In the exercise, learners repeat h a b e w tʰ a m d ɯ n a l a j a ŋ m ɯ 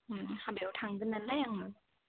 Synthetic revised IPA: h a b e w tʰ a ŋ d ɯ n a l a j a ŋ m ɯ